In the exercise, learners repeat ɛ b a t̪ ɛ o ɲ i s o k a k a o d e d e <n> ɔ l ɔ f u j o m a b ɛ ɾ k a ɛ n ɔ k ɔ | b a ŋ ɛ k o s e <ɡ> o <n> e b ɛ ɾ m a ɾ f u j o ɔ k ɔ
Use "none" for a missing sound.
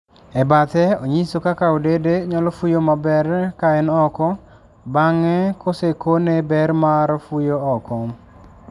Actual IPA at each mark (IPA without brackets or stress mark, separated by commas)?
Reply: ɲ, k, n